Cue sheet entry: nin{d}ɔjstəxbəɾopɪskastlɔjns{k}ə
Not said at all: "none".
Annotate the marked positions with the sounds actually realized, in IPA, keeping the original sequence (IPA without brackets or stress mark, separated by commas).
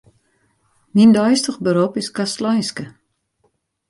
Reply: d, k